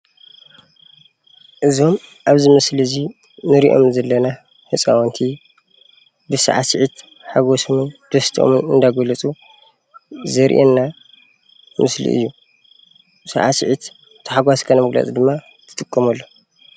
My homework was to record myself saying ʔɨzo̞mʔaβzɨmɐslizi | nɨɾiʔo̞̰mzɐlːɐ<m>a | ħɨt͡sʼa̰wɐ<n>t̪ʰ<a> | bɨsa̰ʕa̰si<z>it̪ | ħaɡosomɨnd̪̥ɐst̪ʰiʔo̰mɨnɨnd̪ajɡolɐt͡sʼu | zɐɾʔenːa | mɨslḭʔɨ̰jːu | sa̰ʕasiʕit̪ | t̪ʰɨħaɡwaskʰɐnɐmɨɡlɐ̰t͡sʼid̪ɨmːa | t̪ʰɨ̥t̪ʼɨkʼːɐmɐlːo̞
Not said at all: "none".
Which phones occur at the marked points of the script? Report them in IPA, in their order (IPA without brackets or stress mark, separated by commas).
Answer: n, n, i, ʕ